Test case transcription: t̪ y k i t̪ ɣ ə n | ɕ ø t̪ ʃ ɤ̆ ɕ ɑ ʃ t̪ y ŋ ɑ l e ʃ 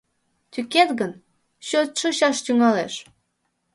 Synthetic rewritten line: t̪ y k e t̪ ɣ ə n | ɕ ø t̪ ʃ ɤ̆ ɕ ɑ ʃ t̪ y ŋ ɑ l e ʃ